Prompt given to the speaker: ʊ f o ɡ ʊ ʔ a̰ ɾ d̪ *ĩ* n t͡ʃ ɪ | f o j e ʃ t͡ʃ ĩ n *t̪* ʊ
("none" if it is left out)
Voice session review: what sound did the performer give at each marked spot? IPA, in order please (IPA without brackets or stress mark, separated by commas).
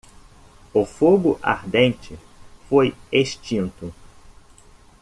ẽ, t̪